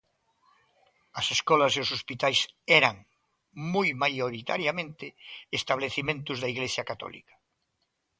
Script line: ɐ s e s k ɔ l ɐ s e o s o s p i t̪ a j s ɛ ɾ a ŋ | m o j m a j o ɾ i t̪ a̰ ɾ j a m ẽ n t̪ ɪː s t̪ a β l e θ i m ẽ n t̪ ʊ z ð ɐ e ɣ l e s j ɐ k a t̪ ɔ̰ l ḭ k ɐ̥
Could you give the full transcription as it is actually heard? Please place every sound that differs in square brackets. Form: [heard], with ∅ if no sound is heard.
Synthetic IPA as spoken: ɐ s e s k ɔ l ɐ s e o s o s p i t̪ a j s ɛ ɾ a ŋ | m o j m a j o ɾ i t̪ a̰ ɾ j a m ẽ n t̪ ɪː s t̪ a β l e θ i m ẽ n t̪ ʊ z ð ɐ [i] ɣ l e s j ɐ k a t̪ ɔ̰ l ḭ k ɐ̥